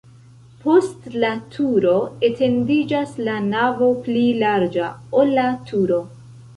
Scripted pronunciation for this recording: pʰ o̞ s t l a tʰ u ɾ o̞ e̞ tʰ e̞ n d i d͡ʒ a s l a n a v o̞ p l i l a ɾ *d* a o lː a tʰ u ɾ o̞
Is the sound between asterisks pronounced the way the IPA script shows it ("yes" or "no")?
no